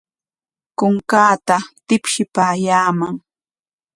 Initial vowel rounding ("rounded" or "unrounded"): rounded